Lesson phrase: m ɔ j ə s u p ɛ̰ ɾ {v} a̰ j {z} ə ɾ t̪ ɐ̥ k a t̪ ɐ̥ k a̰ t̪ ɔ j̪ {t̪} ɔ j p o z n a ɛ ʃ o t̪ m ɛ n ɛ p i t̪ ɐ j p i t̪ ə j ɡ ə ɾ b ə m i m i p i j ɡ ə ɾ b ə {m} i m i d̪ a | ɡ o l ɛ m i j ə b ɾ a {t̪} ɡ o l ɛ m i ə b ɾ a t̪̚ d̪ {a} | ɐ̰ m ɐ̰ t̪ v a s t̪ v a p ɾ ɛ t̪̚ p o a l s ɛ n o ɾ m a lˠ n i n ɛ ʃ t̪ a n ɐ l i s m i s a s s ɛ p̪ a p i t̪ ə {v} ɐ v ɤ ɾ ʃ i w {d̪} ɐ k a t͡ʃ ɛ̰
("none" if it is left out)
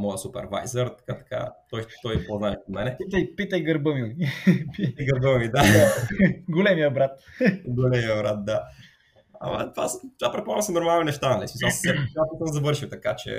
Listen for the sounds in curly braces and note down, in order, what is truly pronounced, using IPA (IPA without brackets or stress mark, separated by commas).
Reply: v, z, t̪, m, t̪, a, z, t̪